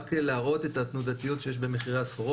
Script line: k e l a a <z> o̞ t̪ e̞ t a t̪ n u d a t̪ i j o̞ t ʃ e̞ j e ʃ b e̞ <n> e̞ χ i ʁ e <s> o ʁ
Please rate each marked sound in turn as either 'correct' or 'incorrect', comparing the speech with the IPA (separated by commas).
incorrect, incorrect, correct